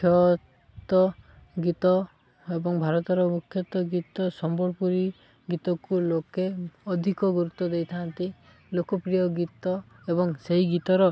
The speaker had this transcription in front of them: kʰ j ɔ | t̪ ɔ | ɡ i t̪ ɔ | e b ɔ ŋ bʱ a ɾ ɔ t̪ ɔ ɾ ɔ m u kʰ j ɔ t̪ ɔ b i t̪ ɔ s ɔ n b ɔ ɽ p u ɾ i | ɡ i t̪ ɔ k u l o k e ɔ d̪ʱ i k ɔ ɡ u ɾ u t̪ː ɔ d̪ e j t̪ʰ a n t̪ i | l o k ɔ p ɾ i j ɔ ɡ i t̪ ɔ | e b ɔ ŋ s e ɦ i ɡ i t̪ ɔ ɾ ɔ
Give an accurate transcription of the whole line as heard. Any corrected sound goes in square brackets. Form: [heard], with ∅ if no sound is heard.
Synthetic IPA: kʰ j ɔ | t̪ ɔ | ɡ i t̪ ɔ | e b ɔ ŋ bʱ a ɾ ɔ t̪ ɔ ɾ ɔ m u kʰ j ɔ t̪ ɔ [ɡ] i t̪ ɔ s ɔ [m] b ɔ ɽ p u ɾ i | ɡ i t̪ ɔ k u l o k e ɔ d̪ʱ i k ɔ ɡ u ɾ u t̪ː ɔ d̪ e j t̪ʰ a n t̪ i | l o k ɔ p ɾ i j ɔ ɡ i t̪ ɔ | e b ɔ ŋ s e ɦ i ɡ i t̪ ɔ ɾ ɔ